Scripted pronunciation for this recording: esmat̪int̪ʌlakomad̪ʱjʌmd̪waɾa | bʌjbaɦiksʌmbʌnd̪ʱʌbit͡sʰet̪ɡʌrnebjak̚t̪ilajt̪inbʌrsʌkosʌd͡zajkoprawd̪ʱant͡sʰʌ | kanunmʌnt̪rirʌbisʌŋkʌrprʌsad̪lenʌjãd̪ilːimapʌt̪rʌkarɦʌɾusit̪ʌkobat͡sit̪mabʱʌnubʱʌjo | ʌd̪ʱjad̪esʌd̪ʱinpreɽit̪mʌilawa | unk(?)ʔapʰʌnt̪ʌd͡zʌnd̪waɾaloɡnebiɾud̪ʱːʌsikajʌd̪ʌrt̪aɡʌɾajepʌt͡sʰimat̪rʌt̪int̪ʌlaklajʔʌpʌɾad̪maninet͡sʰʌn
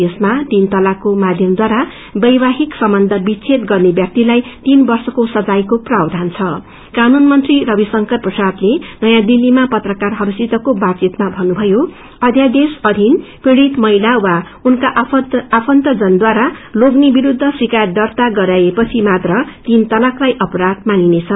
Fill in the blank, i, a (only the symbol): a